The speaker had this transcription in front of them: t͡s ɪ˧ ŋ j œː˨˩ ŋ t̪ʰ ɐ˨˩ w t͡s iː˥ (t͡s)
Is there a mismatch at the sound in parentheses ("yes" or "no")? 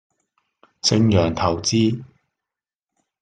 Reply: yes